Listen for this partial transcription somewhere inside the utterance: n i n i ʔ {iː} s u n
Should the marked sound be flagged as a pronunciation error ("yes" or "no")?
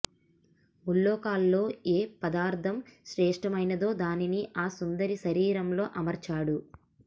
yes